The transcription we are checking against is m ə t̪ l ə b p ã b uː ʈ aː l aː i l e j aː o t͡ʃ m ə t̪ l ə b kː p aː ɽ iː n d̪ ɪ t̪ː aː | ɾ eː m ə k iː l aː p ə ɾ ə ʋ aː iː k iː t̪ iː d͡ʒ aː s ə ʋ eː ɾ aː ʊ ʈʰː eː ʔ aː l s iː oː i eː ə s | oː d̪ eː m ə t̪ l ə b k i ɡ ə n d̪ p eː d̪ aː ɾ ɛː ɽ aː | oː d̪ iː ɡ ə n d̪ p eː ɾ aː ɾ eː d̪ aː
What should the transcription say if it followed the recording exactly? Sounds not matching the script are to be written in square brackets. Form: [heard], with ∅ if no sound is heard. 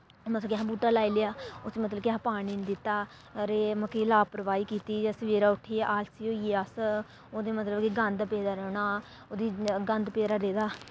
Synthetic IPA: m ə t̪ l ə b [k] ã b uː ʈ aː l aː i l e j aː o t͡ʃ m ə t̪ l ə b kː p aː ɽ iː n d̪ ɪ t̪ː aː | ɾ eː m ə k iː l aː p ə ɾ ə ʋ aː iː k iː t̪ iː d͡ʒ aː s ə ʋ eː ɾ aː ʊ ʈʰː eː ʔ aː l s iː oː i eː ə s | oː d̪ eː m ə t̪ l ə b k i ɡ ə n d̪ p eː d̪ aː ɾ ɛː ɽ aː | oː d̪ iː ɡ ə n d̪ p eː ɾ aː ɾ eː d̪ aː